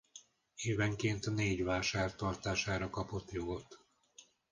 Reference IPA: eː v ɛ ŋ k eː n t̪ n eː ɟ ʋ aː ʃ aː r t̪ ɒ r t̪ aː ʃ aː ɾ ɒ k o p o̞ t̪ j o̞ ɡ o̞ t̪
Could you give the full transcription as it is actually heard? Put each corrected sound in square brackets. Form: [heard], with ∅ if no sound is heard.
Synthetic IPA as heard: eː v ɛ ŋ k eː n t̪ n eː ɟ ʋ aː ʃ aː r t̪ ɒ r t̪ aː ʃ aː ɾ ɒ k [ɒ] p o̞ t̪ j o̞ ɡ o̞ t̪

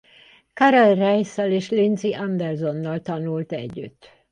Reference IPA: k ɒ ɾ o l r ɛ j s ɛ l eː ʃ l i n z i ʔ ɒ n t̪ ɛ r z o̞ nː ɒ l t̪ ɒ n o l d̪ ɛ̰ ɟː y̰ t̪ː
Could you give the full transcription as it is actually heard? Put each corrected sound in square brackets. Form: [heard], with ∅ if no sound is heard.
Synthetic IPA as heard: k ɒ ɾ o l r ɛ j s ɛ l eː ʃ l i n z i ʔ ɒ n [d̪] ɛ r z o̞ nː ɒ l t̪ ɒ n [u] l [t̪] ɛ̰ ɟː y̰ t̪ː

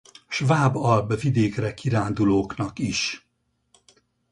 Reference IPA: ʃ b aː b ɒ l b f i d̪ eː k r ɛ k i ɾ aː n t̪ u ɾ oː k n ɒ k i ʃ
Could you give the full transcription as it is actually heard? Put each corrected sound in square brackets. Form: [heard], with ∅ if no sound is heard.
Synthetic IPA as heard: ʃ [v] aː b ɒ l b [v] i d̪ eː k r ɛ k i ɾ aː n [d̪] u [l] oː k n ɒ k i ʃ

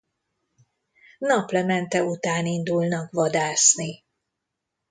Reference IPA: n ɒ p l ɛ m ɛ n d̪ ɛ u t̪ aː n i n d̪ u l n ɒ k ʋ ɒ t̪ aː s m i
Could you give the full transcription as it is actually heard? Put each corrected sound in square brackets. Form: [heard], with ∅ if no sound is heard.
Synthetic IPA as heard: n ɒ p l ɛ m ɛ n [t̪] ɛ u t̪ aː n i n d̪ u l n ɒ k ʋ ɒ [d̪] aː s [n] i

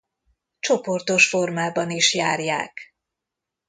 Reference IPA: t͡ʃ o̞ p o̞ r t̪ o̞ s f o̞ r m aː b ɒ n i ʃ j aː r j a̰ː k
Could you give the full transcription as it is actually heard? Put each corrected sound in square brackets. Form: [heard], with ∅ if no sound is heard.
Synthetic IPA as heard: t͡ʃ o̞ p o̞ r t̪ o̞ [ʃ] f o̞ r m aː b ɒ n i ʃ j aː r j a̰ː k

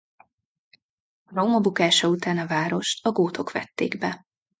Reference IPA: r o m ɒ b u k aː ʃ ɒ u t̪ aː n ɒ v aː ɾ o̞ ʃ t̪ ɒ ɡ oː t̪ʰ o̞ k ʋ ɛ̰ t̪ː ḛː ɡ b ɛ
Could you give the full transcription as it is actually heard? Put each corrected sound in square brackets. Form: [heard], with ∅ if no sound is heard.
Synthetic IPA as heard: r o m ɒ b u k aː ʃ ɒ u t̪ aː n ɒ v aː ɾ o̞ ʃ t̪ ɒ ɡ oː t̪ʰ o̞ k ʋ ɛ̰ t̪ː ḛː ɡ b ɛ

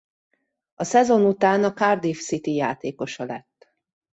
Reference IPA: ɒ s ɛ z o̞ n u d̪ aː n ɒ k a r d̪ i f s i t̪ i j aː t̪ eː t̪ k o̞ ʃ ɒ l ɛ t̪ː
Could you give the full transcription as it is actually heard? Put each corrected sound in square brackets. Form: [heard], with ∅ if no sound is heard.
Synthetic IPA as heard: ɒ s ɛ z o̞ n u [t̪] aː n ɒ k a r d̪ i f s i t̪ i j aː t̪ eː [∅] k o̞ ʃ ɒ l ɛ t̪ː

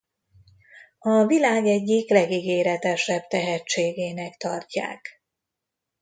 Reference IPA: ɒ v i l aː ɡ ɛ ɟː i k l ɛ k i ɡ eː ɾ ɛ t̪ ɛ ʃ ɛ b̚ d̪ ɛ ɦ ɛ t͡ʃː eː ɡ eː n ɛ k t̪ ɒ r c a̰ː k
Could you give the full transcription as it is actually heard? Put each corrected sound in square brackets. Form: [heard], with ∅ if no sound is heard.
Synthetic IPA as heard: ɒ v i l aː ɡ ɛ ɟː i k l ɛ [ɡ] i ɡ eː ɾ ɛ t̪ ɛ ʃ ɛ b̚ [t̪] ɛ ɦ ɛ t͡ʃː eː ɡ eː n ɛ k t̪ ɒ r c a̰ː k

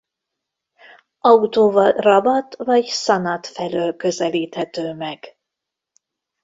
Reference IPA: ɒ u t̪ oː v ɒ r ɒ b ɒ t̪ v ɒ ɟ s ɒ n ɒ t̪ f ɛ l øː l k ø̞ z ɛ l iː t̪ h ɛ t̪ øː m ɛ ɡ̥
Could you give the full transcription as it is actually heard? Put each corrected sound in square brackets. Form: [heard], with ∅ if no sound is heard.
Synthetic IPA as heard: ɒ u t̪ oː v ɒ r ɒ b ɒ t̪ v ɒ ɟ s ɒ n ɒ t̪ f ɛ l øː l k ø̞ z ɛ l iː t̪ h ɛ t̪ øː m ɛ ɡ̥

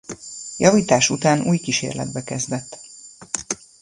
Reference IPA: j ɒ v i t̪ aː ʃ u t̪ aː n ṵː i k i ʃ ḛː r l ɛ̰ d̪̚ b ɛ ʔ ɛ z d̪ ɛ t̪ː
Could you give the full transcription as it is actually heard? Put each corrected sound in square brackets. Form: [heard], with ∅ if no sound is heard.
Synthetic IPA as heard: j ɒ v [iː] t̪ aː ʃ u t̪ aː n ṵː [j] k i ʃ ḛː r l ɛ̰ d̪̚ b ɛ [k] ɛ z d̪ ɛ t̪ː

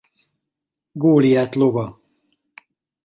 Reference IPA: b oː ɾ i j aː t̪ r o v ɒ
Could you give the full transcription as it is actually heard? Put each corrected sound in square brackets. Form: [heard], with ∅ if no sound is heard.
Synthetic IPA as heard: [ɡ] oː [l] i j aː t̪ [l] o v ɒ

